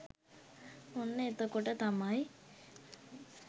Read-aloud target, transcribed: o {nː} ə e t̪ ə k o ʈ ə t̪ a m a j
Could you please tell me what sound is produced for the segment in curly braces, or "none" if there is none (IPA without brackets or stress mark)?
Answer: nː